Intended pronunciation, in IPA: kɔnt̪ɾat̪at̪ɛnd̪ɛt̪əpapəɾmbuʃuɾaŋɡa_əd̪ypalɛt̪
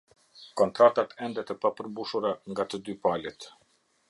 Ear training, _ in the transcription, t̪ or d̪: t̪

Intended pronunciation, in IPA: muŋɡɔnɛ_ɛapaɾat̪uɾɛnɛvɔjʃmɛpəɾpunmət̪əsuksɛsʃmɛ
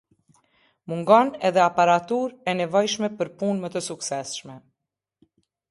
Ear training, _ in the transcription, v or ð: ð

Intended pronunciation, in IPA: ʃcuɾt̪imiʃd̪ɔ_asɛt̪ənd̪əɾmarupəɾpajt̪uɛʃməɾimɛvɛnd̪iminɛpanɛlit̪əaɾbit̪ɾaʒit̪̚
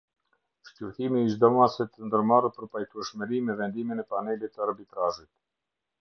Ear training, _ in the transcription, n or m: m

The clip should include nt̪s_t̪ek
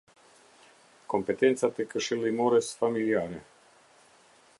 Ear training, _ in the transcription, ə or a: a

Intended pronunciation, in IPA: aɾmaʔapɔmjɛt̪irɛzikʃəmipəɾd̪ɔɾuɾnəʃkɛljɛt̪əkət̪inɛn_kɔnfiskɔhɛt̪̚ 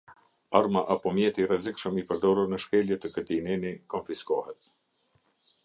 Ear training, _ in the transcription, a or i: i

